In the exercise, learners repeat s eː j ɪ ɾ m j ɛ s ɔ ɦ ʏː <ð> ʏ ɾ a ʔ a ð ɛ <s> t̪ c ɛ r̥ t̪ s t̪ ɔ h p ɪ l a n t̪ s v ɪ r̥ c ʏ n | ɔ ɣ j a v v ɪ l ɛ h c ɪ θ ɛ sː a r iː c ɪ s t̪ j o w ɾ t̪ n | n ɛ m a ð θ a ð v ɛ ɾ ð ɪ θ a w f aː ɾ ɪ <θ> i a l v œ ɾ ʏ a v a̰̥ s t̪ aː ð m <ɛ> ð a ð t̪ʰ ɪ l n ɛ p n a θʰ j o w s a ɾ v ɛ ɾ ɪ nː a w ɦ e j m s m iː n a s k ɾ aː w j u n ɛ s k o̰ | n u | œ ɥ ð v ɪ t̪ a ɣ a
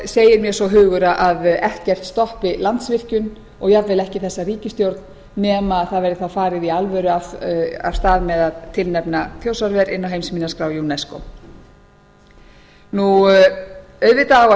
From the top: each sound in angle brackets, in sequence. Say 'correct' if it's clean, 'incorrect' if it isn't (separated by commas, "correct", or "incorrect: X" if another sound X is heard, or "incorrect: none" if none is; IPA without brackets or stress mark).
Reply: incorrect: ɣ, incorrect: h, incorrect: ð, correct